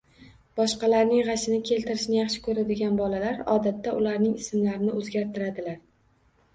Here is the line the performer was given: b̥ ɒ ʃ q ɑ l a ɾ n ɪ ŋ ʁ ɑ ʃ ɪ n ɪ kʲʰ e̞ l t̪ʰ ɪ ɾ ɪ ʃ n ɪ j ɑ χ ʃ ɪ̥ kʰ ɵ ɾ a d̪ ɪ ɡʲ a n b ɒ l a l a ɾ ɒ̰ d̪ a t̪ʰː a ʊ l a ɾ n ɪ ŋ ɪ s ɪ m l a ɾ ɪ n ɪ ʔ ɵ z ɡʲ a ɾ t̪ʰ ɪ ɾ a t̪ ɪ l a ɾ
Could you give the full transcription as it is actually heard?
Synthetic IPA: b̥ ɒ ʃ q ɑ l a ɾ n ɪ ŋ ʁ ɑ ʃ ɪ n ɪ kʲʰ e̞ l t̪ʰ ɪ ɾ ɪ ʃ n ɪ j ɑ χ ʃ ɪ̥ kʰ ɵ ɾ a d̪ ɪ ɡʲ a n b ɒ l a l a ɾ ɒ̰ d̪ a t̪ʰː a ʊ l a ɾ n ɪ ŋ ɪ s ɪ m l a ɾ ɪ n ɪ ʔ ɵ z ɡʲ a ɾ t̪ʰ ɪ ɾ a d̪ ɪ l a ɾ